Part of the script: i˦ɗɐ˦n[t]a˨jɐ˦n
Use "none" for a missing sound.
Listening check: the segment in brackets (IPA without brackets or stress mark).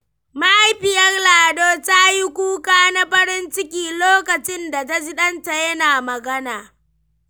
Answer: t